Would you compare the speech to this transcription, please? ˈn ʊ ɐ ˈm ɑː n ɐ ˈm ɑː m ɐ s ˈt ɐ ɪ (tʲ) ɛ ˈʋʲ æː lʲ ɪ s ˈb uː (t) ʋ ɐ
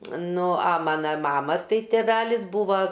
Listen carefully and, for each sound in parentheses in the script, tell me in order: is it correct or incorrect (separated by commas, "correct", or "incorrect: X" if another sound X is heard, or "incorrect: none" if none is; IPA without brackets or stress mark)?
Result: correct, incorrect: none